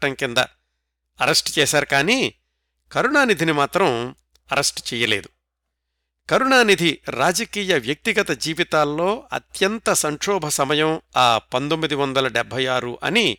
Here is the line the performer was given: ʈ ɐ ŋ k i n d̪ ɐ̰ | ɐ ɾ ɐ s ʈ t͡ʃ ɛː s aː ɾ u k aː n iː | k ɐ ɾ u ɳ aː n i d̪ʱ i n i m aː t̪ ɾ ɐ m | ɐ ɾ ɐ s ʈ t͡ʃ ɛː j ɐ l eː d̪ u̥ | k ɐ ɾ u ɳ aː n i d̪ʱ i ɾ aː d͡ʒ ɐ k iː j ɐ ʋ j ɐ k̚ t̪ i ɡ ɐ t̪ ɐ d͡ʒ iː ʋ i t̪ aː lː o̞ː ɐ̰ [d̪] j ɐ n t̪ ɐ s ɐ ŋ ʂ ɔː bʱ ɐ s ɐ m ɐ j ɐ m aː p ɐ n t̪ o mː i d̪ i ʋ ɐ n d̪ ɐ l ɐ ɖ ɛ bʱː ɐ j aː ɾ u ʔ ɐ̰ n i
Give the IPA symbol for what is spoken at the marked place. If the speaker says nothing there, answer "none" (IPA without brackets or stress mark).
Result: t̪